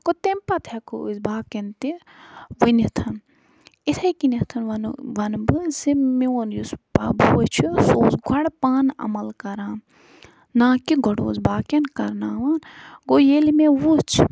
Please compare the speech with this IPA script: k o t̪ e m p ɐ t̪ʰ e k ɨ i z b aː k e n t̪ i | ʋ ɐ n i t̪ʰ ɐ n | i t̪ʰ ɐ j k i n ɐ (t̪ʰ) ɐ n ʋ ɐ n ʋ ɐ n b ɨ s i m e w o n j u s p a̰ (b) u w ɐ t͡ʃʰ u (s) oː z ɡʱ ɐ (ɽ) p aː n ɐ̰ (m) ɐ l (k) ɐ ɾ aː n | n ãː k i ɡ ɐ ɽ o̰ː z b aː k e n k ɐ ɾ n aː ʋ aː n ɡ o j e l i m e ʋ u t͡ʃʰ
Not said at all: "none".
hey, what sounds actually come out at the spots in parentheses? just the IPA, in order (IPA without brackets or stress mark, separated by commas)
t̪ʰ, b, s, ɽ, m, k